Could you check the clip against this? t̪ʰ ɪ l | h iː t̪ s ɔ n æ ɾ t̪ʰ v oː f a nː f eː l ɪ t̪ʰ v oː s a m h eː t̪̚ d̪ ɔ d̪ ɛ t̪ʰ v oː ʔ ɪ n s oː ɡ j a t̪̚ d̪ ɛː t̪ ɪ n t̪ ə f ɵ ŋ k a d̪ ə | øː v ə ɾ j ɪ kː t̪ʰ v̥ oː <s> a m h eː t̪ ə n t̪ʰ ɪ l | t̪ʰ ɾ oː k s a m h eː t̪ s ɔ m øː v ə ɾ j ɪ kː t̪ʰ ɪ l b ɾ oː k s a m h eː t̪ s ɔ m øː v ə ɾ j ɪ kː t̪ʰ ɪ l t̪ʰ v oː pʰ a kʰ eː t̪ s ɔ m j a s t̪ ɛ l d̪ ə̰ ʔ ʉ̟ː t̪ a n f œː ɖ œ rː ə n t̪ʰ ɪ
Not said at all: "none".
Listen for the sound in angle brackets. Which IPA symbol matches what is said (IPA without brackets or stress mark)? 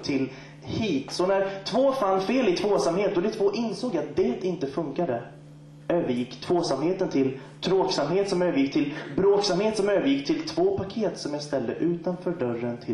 s